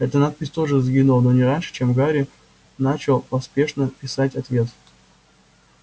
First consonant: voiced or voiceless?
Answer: voiceless